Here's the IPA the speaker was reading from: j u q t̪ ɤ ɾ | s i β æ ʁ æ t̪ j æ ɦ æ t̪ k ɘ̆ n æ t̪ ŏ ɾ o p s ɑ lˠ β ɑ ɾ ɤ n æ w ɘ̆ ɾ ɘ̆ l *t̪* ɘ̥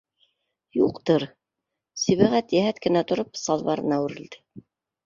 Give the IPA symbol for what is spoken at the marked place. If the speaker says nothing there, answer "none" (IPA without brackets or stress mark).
d̪